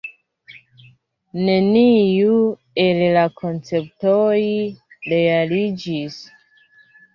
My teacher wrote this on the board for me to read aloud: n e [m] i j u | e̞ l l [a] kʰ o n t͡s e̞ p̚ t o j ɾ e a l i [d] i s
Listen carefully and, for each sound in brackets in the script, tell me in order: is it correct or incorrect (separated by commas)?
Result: incorrect, correct, incorrect